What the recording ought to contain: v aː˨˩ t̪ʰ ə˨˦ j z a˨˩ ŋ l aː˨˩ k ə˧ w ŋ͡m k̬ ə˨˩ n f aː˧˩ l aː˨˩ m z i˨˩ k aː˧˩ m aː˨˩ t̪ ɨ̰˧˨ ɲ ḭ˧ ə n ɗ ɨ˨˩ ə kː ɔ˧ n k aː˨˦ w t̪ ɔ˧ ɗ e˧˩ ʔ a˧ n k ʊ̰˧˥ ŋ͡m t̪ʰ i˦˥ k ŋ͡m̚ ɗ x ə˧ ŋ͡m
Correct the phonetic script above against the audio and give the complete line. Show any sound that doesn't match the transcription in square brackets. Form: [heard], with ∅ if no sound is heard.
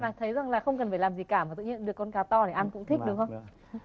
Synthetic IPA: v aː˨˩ t̪ʰ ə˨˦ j z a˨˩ ŋ l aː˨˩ [x] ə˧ w ŋ͡m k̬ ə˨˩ n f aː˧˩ l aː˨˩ m z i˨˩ k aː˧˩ m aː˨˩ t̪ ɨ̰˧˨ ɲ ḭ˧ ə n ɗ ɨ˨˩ ə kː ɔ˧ n k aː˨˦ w t̪ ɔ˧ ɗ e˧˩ ʔ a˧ n k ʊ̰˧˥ ŋ͡m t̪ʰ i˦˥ k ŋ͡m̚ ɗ x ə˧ ŋ͡m

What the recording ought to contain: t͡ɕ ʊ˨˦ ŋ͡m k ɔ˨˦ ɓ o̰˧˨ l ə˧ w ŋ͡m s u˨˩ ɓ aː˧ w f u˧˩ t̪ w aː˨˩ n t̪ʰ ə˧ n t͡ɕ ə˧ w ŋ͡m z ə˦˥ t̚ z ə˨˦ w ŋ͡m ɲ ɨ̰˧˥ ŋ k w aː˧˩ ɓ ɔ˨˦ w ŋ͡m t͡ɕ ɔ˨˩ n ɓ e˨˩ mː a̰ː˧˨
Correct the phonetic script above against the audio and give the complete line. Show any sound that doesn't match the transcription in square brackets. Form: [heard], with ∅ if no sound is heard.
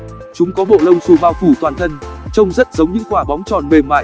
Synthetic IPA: t͡ɕ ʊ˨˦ ŋ͡m k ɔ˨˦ ɓ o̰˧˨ l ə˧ w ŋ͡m s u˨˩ ɓ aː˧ w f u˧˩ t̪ w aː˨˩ n t̪ʰ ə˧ n t͡ɕ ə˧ w ŋ͡m z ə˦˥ t̚ z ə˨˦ w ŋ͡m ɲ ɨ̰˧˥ ŋ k w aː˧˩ ɓ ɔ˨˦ w ŋ͡m t͡ɕ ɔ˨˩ n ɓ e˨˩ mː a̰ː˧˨

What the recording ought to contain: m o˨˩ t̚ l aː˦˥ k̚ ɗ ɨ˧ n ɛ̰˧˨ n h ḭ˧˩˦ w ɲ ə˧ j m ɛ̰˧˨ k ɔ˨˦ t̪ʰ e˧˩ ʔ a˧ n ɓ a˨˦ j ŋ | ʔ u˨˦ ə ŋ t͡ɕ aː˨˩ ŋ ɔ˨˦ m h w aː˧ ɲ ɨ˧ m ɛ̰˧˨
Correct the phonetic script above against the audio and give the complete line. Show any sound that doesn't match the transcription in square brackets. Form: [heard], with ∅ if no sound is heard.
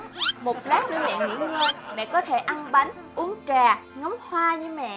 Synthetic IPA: m o˨˩ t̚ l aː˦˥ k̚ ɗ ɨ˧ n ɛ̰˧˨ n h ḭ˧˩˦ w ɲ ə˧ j m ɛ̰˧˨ k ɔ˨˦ t̪ʰ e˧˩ ʔ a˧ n ɓ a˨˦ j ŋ | ʔ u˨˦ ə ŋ t͡ɕ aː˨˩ ŋ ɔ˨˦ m h w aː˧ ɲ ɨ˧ m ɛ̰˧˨

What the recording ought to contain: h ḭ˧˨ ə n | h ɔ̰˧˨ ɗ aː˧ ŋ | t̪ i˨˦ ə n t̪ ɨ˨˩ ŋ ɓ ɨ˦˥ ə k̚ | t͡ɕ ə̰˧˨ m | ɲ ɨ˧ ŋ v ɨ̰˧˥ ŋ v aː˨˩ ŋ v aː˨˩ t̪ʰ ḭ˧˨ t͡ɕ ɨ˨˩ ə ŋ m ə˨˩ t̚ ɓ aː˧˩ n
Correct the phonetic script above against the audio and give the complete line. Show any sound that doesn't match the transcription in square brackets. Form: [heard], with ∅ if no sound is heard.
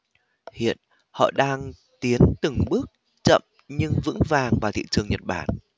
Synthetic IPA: h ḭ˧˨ ə n | h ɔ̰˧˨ ɗ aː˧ ŋ | t̪ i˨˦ ə n t̪ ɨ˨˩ ŋ ɓ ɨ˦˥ ə k̚ | t͡ɕ ə̰˧˨ m | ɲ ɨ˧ ŋ v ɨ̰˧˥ ŋ v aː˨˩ ŋ v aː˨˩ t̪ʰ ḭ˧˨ t͡ɕ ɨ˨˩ ə ŋ [ɲ] ə˨˩ t̚ ɓ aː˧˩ n

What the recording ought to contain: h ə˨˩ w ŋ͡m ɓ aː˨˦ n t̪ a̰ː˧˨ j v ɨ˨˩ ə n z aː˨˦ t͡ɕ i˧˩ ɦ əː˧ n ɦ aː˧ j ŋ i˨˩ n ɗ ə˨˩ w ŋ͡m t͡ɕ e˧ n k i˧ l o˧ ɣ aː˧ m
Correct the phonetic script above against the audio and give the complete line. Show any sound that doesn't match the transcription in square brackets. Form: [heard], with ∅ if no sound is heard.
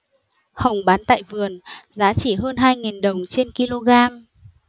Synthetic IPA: h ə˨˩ w ŋ͡m ɓ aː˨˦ n t̪ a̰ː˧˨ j v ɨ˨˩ ə n z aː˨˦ t͡ɕ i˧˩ ɦ əː˧ n ɦ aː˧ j ŋ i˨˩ n ɗ ə˨˩ w ŋ͡m t͡ɕ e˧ n k i˧ l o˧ ɣ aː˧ m

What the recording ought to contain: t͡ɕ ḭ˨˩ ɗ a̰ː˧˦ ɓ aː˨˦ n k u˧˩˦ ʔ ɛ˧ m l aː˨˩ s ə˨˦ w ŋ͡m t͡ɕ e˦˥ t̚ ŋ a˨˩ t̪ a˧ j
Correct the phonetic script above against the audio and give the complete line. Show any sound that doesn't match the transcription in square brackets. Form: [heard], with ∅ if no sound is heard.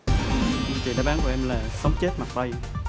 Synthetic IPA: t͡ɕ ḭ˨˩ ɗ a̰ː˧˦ ɓ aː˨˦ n k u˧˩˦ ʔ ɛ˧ m l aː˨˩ s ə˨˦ w ŋ͡m t͡ɕ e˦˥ t̚ [m] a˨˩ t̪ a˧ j

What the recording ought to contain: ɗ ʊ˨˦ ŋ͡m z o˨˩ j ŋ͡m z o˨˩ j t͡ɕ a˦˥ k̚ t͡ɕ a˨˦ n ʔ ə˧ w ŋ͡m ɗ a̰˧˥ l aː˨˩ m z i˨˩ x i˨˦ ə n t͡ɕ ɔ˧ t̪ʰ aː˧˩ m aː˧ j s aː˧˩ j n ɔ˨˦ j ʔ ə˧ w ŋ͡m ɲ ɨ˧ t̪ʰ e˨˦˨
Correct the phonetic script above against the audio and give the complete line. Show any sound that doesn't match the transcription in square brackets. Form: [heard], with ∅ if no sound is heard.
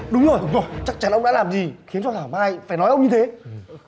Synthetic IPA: ɗ ʊ˨˦ ŋ͡m z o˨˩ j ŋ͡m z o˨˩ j t͡ɕ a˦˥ k̚ t͡ɕ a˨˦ n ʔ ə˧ w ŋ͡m ɗ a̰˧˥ l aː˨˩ m z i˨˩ x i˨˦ ə n t͡ɕ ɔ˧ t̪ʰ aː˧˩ m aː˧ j [f] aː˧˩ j n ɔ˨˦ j ʔ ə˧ w ŋ͡m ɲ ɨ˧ t̪ʰ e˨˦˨

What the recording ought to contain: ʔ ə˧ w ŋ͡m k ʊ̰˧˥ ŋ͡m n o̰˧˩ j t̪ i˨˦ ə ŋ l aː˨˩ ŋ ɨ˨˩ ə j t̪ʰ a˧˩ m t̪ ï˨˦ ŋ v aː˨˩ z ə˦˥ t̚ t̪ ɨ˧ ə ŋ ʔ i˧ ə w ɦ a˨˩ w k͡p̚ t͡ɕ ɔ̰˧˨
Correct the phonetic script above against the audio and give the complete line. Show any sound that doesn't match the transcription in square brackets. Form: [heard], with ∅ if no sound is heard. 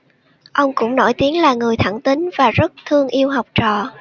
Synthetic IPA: ʔ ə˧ w ŋ͡m k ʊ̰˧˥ ŋ͡m n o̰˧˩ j t̪ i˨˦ ə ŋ l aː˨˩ ŋ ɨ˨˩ ə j t̪ʰ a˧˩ [ŋ] t̪ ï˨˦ ŋ v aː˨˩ z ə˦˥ t̚ [t̪ʰ] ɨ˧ ə ŋ ʔ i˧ ə w ɦ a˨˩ w k͡p̚ t͡ɕ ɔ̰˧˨

